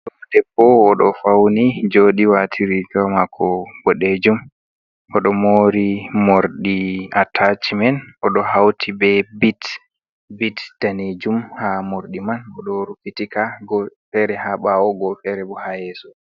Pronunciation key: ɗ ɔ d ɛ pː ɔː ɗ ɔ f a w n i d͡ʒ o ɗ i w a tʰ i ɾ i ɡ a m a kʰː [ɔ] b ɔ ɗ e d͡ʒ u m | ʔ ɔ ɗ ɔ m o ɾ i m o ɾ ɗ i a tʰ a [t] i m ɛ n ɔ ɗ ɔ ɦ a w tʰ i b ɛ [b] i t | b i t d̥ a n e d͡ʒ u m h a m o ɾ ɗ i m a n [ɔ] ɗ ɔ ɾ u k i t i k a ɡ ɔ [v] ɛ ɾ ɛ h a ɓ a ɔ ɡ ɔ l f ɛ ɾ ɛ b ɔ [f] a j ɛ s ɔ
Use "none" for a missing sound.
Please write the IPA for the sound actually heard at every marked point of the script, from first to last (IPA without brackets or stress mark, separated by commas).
ɔ, t͡ʃ, b, ɔ, f, h